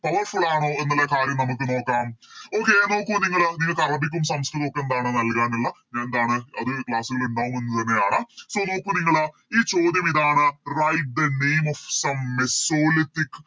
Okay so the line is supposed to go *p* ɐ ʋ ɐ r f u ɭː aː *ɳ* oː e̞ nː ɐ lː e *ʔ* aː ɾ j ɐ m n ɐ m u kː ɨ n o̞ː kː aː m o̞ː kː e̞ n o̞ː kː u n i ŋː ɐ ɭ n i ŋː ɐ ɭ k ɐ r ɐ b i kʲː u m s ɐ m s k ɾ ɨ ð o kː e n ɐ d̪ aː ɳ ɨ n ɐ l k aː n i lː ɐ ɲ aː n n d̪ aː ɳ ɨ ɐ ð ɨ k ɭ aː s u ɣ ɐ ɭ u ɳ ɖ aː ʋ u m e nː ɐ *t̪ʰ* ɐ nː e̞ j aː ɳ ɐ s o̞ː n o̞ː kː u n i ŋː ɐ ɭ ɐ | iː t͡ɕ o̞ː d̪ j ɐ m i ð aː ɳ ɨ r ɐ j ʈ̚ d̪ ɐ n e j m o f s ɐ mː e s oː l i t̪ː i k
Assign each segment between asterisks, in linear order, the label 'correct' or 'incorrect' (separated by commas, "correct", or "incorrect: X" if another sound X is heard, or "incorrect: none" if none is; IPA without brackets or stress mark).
correct, correct, incorrect: k, incorrect: t̪